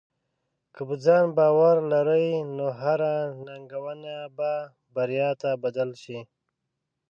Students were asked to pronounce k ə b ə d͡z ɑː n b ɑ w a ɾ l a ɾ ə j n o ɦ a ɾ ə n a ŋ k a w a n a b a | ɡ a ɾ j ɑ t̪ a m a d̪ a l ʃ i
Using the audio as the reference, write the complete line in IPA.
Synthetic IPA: k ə b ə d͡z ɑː n b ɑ w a ɾ l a ɾ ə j n o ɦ a ɾ a n a ŋ ɡ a w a n a b a | b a ɾ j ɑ t̪ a b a d̪ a l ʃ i